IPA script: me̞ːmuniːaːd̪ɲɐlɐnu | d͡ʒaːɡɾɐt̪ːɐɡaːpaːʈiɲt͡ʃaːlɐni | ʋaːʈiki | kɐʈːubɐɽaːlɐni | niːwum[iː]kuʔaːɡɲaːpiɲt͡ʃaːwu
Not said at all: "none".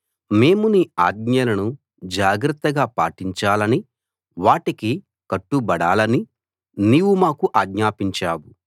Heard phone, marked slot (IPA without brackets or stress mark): aː